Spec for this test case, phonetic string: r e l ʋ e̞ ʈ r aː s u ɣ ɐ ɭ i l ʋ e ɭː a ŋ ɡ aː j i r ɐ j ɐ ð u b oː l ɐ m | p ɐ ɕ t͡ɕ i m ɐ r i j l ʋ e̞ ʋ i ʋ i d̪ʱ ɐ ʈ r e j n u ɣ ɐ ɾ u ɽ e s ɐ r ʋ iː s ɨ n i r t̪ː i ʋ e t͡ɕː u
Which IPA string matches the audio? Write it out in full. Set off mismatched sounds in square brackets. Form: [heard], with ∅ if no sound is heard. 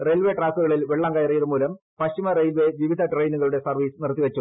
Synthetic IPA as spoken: r e l ʋ e̞ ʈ r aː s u ɣ ɐ ɭ i l ʋ e ɭː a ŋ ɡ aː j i r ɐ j ɐ ð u [m] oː l ɐ m | p ɐ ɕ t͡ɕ i m ɐ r [e] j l ʋ e̞ ʋ i ʋ i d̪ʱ ɐ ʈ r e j n u ɣ ɐ [ɭ] u ɽ e s ɐ r ʋ iː s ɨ n i r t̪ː i ʋ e t͡ɕː u